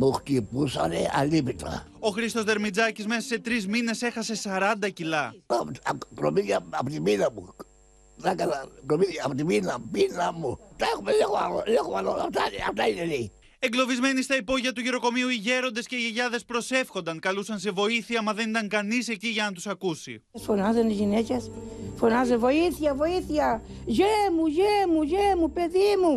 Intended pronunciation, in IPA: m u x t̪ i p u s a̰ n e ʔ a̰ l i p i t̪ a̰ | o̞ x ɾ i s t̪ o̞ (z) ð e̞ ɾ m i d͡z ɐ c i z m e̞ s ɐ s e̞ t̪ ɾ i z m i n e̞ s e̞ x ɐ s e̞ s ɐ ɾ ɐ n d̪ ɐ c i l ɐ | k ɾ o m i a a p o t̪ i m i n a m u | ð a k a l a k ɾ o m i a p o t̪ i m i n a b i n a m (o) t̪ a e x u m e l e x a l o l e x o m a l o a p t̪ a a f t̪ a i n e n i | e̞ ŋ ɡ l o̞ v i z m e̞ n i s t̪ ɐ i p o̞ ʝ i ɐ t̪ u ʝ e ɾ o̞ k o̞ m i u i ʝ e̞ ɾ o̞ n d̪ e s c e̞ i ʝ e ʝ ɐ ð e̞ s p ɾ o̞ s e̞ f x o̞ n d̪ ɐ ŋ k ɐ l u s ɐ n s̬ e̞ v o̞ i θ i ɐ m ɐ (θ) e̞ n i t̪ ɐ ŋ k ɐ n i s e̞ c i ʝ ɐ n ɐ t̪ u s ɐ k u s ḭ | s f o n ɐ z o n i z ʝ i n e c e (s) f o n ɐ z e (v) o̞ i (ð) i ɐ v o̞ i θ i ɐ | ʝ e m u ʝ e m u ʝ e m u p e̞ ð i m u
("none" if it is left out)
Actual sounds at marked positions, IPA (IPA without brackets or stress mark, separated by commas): z, u, ð, s, v, θ